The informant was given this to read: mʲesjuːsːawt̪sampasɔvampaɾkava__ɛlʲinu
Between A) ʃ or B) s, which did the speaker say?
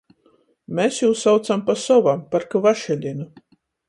A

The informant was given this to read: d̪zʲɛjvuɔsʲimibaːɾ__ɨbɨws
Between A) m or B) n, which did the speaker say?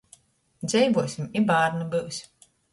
B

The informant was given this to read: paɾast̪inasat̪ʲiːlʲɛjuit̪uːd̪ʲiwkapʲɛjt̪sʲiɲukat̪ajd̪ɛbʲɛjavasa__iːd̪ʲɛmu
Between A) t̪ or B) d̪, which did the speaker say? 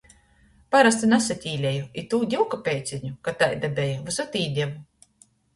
A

